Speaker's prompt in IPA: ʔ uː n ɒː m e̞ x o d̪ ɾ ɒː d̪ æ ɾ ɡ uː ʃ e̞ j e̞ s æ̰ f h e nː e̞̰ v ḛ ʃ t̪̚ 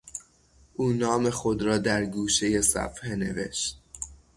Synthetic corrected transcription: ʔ uː n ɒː m e̞ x o d̪ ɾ ɒː d̪ æ ɾ ɡ uː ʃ e̞ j e̞ s æ̰ f h e n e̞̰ v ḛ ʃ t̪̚